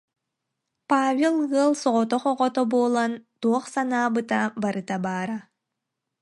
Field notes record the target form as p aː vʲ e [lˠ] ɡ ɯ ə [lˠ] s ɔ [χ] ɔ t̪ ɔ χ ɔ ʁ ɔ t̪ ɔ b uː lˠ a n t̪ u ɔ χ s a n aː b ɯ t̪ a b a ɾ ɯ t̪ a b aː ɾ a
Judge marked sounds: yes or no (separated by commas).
yes, yes, no